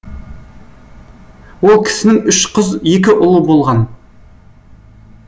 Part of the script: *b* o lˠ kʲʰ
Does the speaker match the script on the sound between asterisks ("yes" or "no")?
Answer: no